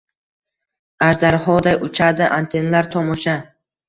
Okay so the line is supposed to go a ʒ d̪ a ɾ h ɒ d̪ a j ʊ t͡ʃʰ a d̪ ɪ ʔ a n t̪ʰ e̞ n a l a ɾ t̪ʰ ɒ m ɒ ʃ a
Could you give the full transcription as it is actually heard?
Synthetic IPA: a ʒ d̪ a ɾ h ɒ d̪ a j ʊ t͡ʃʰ a d̪ ɪ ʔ a n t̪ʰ e̞ n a l a ɾ t̪ʰ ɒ m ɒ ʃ a